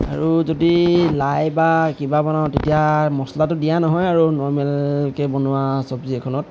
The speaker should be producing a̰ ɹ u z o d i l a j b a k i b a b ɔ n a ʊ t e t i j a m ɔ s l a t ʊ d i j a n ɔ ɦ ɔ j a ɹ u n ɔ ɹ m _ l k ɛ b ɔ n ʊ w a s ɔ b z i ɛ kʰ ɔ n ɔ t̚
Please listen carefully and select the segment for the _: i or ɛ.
ɛ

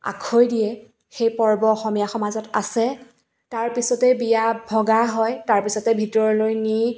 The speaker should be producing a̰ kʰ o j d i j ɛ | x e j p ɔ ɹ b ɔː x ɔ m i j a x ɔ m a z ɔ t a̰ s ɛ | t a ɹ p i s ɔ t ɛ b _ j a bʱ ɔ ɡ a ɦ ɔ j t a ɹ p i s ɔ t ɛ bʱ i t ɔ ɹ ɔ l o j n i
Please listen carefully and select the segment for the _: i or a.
i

